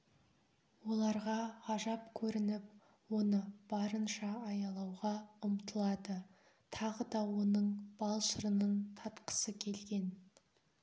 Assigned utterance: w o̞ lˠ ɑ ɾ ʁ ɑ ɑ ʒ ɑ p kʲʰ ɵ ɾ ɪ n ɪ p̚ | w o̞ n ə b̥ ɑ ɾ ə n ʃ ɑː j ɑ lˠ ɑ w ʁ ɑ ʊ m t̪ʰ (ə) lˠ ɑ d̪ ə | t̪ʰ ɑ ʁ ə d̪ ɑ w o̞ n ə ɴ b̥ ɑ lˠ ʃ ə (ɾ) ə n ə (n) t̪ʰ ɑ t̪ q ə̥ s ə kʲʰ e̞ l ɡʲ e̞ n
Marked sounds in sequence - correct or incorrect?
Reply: correct, correct, incorrect: ɴ

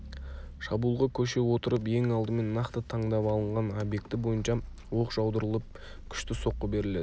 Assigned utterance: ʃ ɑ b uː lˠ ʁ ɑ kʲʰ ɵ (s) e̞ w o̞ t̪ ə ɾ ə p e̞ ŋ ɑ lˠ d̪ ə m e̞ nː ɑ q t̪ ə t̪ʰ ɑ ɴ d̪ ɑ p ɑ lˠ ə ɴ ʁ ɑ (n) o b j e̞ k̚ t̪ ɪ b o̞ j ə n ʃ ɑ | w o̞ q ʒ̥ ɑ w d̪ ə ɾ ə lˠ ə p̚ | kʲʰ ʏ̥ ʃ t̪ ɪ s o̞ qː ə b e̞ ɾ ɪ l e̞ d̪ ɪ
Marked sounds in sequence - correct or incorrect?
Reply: incorrect: ʃ, correct

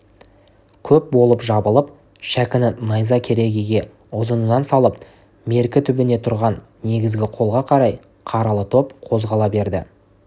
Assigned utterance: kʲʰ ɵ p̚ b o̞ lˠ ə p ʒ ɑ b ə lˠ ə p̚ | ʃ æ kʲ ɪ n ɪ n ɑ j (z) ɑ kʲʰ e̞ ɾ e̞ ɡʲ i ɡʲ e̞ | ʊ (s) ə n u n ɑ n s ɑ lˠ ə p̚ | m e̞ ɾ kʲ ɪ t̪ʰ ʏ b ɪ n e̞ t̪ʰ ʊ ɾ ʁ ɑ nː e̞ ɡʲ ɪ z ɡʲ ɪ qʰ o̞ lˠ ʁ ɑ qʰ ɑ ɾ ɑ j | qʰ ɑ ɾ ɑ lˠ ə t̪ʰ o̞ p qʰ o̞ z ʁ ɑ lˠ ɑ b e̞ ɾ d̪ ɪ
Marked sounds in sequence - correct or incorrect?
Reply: correct, incorrect: z

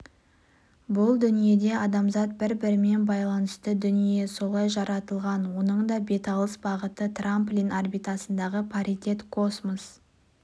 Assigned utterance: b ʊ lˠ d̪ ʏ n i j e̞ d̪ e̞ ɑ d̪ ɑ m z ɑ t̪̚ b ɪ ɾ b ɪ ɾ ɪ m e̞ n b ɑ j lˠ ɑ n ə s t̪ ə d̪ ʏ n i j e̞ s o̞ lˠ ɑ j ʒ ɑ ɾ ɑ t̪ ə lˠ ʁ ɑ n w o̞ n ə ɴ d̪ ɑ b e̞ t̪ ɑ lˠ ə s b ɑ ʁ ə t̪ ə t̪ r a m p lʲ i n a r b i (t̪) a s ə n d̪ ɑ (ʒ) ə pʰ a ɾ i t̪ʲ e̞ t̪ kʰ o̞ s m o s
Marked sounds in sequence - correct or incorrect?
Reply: correct, incorrect: ʁ

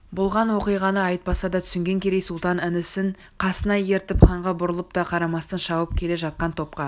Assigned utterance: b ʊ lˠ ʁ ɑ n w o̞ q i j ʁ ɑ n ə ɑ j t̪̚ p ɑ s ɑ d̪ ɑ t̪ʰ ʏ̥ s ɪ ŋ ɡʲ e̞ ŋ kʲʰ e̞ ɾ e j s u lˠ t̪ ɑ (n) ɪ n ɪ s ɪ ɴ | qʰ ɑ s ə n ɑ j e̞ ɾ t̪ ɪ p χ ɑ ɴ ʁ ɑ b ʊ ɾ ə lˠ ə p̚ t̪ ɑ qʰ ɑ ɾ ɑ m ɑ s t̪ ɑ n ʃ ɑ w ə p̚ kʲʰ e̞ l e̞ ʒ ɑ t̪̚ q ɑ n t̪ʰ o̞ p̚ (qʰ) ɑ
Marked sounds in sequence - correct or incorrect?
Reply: correct, incorrect: q

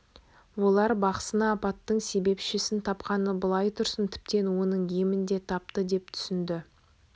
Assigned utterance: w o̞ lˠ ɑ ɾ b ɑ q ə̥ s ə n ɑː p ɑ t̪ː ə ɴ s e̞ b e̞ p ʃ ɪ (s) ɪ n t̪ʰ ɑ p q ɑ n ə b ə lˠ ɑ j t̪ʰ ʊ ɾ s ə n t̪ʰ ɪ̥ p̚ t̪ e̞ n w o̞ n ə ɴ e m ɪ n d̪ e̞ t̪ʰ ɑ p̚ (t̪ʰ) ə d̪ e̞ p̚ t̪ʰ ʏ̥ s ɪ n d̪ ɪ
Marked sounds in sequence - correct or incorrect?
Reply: correct, incorrect: t̪

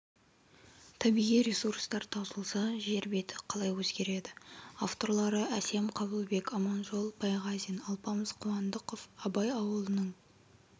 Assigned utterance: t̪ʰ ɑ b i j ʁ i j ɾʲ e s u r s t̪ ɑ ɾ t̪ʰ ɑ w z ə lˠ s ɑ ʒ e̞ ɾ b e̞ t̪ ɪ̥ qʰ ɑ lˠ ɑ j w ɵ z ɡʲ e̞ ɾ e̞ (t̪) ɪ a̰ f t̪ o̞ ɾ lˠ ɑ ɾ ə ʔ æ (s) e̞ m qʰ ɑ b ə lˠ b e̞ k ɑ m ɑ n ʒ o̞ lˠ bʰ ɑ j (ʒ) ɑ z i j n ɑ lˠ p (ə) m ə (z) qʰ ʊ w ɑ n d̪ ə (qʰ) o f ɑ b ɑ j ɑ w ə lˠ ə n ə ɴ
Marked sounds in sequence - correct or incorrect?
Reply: incorrect: d̪, correct, incorrect: ʁ, incorrect: ɑ, correct, incorrect: q

